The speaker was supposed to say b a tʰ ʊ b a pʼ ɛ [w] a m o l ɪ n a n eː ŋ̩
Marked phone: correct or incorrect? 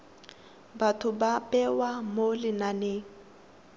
correct